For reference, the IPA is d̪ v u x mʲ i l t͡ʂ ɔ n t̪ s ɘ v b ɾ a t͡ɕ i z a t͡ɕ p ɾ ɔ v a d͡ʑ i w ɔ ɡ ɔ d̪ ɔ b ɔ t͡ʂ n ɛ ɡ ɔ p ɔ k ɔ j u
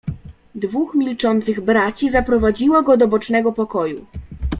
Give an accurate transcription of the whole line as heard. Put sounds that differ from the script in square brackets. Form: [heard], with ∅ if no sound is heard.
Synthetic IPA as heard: d̪ v u x mʲ i l t͡ʂ ɔ n t̪ s ɘ [ɣ] b ɾ a t͡ɕ i z a [∅] p ɾ ɔ v a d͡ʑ i w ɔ ɡ ɔ d̪ ɔ b ɔ t͡ʂ n ɛ ɡ ɔ p ɔ k ɔ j u